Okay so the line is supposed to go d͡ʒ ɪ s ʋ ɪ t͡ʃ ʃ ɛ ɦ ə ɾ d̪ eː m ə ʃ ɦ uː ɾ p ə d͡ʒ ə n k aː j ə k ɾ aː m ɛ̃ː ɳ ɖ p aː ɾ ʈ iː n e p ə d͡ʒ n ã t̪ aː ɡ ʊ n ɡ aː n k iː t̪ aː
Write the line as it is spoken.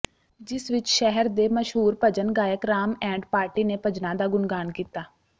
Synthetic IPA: d͡ʒ ɪ s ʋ ɪ t͡ʃ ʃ ɛ ɦ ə ɾ d̪ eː m ə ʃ ɦ uː ɾ p ə d͡ʒ ə n ɡ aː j ə k ɾ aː m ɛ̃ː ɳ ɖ p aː ɾ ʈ iː n e p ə d͡ʒ n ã d̪ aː ɡ ʊ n ɡ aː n k iː t̪ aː